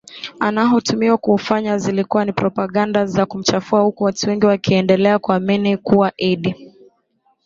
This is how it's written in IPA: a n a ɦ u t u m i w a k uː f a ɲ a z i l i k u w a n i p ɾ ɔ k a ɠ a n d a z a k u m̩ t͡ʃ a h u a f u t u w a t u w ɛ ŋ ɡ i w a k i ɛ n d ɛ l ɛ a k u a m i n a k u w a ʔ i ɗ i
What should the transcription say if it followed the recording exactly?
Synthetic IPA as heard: a n a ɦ u t u m i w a k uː f a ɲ a z i l i k u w a n i p ɾ ɔ p a ɠ a n d a z a k u m̩ t͡ʃ a f u a h u k u w a t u w ɛ ŋ ɡ i w a k i ɛ n d ɛ l ɛ a k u a m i n i k u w a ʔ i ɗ i